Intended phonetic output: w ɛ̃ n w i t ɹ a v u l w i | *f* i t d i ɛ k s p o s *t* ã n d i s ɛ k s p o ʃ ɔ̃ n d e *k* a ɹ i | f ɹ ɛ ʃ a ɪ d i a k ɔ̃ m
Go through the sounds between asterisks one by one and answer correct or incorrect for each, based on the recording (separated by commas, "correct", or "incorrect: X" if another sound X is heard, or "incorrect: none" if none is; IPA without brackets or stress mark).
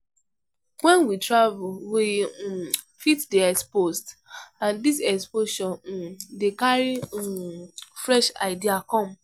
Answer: correct, correct, correct